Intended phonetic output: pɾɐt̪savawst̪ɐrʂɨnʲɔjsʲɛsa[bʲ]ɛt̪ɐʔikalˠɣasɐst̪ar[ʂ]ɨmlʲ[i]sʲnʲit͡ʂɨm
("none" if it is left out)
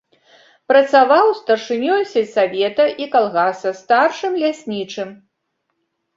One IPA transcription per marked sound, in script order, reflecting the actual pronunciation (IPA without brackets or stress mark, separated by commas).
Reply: vʲ, ʂ, a